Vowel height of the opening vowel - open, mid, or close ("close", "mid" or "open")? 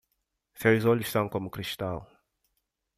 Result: mid